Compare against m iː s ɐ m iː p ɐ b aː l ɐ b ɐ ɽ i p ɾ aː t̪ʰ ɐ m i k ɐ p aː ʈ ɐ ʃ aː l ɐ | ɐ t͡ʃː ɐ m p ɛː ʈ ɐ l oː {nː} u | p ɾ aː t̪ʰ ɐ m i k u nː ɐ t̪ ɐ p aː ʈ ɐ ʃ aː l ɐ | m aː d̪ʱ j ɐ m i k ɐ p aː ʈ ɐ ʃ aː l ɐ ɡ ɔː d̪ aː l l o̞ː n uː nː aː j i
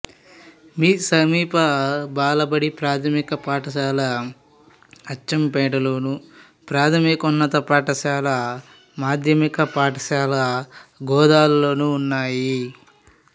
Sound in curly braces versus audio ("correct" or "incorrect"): incorrect